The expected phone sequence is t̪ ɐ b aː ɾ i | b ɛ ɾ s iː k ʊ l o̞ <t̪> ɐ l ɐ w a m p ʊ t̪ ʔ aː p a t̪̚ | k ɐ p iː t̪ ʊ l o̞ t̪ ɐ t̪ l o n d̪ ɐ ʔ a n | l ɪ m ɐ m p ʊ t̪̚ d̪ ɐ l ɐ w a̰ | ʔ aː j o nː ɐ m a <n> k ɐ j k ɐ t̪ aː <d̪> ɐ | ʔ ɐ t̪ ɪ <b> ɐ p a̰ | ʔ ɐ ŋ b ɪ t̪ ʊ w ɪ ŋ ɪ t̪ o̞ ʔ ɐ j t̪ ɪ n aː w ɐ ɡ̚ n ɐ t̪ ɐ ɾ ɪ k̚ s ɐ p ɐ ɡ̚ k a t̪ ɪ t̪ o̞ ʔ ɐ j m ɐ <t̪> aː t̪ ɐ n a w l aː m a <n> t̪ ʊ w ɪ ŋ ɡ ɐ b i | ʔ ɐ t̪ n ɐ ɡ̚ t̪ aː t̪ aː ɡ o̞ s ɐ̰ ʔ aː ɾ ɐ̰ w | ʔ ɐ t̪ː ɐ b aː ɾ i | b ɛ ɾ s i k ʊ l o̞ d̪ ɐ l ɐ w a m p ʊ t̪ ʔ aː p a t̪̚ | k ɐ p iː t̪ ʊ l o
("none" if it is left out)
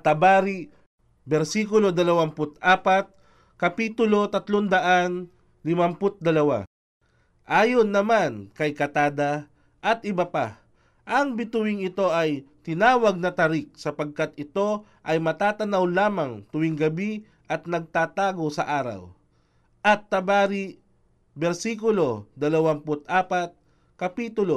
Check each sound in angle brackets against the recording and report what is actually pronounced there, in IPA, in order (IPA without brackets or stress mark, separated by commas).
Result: d̪, n, d̪, b, t̪, ŋ